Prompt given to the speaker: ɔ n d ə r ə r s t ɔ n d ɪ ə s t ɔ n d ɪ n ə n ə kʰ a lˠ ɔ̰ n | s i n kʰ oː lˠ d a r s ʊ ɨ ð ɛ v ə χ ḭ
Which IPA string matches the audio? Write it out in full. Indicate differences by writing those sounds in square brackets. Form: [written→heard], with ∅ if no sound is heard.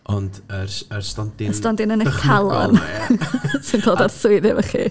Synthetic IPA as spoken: ɔ n d ə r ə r s t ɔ n d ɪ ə s t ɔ n d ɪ n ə n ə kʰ a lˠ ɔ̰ n | s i n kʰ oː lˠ d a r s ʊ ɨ ð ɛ v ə χ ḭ